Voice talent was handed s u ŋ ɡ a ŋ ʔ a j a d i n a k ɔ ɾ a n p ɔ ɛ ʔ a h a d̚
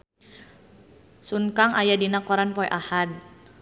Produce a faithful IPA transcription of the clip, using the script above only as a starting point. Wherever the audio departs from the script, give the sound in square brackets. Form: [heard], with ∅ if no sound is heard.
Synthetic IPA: s u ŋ [k] a ŋ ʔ a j a d i n a k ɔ ɾ a n p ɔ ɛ ʔ a h a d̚